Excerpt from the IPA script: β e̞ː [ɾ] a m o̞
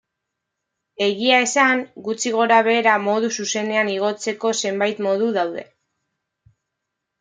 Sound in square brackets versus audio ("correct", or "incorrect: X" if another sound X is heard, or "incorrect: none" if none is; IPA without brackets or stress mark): correct